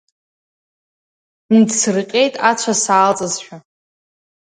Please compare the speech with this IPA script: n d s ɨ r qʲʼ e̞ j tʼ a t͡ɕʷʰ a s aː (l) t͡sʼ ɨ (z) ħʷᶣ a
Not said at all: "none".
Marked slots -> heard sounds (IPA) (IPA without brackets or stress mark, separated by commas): l, z